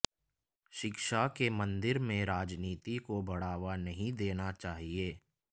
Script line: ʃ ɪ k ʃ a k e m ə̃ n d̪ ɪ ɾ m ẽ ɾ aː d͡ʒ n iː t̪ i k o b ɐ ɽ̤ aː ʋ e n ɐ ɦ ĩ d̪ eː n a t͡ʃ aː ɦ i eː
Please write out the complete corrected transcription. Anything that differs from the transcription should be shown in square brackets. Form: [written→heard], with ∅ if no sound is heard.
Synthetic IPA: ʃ ɪ k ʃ a k e m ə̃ n d̪ ɪ ɾ m ẽ ɾ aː d͡ʒ n iː t̪ i k o b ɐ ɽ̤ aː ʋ [e→a] n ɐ ɦ ĩ d̪ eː n a t͡ʃ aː ɦ i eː